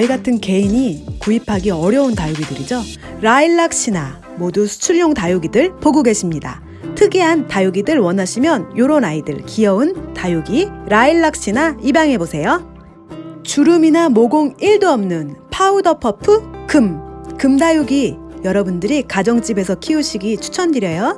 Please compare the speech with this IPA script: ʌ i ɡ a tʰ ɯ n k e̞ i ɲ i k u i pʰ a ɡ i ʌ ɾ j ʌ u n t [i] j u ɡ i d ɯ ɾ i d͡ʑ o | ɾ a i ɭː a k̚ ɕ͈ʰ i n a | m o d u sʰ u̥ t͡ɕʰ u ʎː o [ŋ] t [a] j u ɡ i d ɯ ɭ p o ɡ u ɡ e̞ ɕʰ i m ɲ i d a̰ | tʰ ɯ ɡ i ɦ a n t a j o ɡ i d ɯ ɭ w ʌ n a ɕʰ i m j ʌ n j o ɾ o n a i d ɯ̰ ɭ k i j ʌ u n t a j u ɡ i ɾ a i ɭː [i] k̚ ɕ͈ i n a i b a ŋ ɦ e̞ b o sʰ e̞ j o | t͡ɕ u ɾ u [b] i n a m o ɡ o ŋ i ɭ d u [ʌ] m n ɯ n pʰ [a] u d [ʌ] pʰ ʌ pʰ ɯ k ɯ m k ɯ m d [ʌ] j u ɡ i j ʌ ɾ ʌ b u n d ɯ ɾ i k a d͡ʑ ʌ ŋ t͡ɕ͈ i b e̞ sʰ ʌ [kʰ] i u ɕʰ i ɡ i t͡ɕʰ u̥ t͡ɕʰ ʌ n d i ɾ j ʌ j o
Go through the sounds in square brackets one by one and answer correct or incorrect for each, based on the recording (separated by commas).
incorrect, correct, correct, incorrect, incorrect, correct, correct, correct, incorrect, correct